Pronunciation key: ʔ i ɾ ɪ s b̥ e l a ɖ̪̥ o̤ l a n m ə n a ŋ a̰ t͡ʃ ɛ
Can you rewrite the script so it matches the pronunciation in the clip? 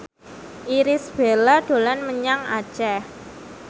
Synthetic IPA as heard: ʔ i ɾ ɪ s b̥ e l a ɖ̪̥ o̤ l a n m ə ɲ a ŋ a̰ t͡ʃ ɛ

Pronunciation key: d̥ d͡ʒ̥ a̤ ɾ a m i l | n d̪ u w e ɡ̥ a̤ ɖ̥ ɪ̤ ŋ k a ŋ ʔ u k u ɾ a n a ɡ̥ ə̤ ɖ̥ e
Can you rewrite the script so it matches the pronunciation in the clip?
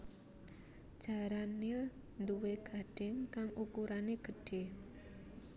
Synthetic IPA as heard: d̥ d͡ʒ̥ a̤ ɾ a n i l | n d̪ u w e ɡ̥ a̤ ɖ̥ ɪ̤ ŋ k a ŋ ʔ u k u ɾ a n e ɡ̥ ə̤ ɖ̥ e

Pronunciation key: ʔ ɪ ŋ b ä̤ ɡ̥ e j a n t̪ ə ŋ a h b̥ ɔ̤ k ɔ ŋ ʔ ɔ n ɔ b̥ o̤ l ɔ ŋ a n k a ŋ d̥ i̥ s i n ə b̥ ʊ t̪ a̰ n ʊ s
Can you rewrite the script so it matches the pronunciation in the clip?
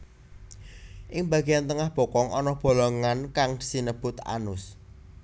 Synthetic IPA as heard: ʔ ɪ ŋ b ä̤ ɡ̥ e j a n t̪ ə ŋ a h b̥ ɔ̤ k ɔ ŋ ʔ ɔ n ɔ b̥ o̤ l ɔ ŋ a n k a ŋ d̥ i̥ s i n ə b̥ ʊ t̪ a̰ n ʊ s

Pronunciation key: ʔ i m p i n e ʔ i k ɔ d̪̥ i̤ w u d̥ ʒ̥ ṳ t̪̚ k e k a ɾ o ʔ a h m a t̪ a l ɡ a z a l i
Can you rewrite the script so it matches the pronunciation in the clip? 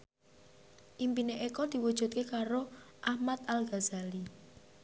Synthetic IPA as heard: ʔ i m p i n e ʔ e k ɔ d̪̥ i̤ w u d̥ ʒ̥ ṳ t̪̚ k e k a ɾ o ʔ a h m a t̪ a l ɡ a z a l i

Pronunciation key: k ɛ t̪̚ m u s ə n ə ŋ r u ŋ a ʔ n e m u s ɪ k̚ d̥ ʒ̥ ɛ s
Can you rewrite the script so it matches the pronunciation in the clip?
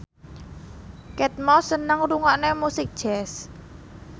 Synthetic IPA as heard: k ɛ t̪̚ m ɔ s ə n ə ŋ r u ŋ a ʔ n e m u s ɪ k̚ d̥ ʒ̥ ɛ s

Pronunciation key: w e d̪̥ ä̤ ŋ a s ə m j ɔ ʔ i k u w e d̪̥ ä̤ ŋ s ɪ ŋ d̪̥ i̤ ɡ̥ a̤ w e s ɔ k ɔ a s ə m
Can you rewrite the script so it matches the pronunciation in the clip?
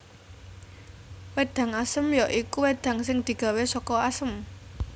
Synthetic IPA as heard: w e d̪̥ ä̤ ŋ a s ə m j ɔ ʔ i k u w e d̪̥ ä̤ ŋ s ɪ ŋ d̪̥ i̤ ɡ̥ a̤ w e s ɔ k ɔ a s ə m

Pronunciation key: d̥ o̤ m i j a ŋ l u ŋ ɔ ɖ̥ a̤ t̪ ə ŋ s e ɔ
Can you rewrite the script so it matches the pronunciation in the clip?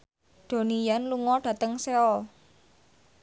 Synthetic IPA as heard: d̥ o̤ n i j a n l u ŋ ɔ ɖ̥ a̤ t̪ ə ŋ s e ɔ

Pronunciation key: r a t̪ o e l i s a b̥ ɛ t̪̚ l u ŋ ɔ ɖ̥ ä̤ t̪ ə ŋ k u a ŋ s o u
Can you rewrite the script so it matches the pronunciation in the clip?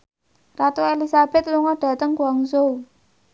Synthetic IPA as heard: r a t̪ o e l i s a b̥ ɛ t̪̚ l u ŋ ɔ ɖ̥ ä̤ t̪ ə ŋ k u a ŋ s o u

